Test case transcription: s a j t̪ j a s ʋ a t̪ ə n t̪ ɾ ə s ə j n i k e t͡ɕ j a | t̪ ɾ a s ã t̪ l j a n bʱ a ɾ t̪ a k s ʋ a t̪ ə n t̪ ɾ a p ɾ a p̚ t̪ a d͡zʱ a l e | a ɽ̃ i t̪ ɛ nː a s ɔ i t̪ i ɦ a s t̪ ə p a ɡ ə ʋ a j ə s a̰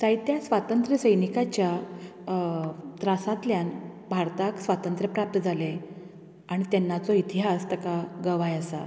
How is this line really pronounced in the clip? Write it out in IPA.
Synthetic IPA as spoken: s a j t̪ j a s ʋ a t̪ ə n t̪ ɾ ə s ə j n i k a t͡ɕ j a | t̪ ɾ a s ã t̪ l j a n bʱ a ɾ t̪ a k s ʋ a t̪ ə n t̪ ɾ ə p ɾ a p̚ t̪ ə d͡zʱ a l e | a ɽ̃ i t̪ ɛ nː a t͡s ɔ i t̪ i ɦ a s t̪ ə k a ɡ ə ʋ a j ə s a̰